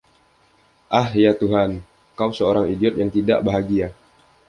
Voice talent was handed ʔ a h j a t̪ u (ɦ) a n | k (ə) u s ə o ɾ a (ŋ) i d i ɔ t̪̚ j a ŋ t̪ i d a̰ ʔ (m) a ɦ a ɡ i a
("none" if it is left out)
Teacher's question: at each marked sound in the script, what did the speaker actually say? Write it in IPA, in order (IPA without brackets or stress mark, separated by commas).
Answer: ɦ, a, ŋ, b